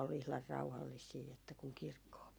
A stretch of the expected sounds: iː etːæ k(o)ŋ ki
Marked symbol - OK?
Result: no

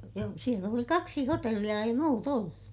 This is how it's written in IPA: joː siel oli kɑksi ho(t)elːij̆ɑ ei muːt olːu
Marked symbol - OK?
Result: yes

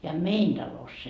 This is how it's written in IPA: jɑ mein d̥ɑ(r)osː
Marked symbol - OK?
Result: no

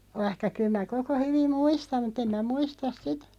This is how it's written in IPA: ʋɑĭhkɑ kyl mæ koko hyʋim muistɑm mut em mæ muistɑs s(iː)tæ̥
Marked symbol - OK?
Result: no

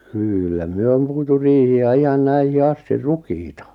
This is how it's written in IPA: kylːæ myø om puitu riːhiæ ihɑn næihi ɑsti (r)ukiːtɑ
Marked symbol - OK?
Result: yes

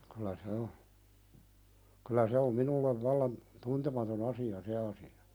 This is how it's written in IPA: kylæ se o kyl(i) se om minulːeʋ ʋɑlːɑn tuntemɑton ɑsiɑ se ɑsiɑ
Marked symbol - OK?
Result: no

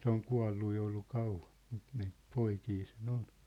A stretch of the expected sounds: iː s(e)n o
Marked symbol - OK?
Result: yes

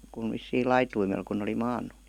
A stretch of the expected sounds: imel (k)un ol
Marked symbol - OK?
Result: yes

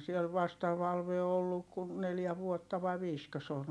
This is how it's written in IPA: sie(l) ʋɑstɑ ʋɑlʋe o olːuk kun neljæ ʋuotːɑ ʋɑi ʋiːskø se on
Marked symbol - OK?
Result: yes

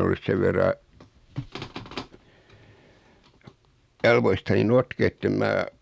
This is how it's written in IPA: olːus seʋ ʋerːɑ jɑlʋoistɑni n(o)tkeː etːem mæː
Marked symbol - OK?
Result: yes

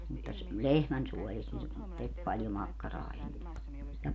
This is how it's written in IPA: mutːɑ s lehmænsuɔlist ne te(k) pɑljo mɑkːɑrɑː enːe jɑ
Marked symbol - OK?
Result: yes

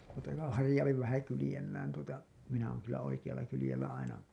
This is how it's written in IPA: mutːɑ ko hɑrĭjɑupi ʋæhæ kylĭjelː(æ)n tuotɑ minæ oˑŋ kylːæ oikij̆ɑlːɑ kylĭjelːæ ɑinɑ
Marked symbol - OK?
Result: no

